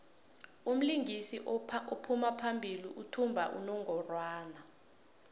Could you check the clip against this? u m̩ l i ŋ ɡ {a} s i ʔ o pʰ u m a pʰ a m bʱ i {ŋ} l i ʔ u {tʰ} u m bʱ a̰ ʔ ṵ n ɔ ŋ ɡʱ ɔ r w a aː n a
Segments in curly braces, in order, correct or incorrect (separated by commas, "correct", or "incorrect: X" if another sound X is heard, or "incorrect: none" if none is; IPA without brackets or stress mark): incorrect: i, incorrect: none, correct